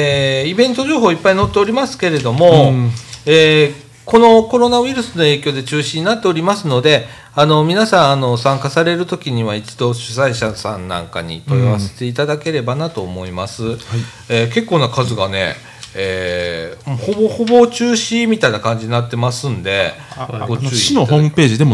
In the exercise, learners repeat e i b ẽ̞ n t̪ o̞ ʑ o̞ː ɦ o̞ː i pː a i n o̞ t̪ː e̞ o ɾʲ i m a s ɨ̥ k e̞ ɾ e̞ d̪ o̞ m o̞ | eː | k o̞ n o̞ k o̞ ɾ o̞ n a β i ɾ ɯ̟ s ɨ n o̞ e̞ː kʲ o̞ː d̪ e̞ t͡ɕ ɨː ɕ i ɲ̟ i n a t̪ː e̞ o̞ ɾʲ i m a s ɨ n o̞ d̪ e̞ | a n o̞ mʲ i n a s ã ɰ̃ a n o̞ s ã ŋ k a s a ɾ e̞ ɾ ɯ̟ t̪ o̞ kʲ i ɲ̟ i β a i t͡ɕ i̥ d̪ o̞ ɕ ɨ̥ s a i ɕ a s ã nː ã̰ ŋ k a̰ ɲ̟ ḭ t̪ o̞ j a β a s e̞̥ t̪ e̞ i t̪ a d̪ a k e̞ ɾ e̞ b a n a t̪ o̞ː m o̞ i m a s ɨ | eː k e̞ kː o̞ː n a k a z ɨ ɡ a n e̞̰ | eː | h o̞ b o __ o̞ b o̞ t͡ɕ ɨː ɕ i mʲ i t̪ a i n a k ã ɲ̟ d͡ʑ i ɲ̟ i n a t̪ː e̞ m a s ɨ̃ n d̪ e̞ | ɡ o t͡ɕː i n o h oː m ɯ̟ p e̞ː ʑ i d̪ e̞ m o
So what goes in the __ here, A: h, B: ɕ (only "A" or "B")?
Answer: A